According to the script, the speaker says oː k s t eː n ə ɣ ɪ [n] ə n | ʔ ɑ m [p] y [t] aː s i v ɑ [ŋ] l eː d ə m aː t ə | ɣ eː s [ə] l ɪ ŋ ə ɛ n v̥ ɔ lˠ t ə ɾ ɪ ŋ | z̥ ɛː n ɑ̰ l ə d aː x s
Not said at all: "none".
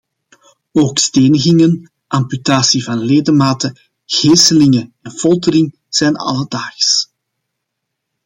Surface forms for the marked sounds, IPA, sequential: ŋ, p, t, n, ə

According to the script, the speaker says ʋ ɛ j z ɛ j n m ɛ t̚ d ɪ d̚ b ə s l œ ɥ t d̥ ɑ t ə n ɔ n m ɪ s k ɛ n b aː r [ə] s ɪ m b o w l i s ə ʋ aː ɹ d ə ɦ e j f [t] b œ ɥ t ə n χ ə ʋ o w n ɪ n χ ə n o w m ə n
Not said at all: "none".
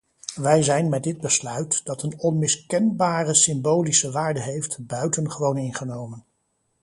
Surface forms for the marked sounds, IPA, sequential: ə, t

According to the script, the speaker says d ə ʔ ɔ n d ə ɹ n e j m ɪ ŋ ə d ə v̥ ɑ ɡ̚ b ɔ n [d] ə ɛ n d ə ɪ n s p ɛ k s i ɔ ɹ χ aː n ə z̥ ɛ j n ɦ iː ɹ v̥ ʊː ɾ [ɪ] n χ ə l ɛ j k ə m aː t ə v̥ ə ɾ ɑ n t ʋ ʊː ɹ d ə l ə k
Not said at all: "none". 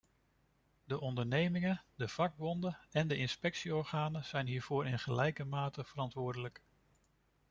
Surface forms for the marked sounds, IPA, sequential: d, ɪ

